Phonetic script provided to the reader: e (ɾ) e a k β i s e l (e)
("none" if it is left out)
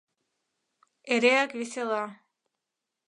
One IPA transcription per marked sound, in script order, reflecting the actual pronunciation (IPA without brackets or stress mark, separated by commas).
ɾ, a